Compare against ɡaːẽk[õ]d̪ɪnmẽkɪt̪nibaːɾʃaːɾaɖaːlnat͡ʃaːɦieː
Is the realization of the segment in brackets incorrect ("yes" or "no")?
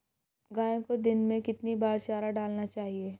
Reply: yes